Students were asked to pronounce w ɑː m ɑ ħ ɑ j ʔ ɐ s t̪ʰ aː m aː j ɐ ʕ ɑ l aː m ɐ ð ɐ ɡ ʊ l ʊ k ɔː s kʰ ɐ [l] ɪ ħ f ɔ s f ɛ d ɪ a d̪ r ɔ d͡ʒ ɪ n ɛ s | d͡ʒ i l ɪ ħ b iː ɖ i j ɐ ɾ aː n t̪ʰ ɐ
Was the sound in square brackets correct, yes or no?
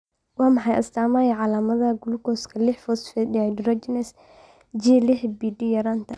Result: yes